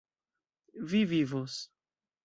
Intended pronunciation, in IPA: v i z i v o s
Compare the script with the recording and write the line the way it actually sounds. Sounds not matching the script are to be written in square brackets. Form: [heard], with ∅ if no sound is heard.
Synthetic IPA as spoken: v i [v] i v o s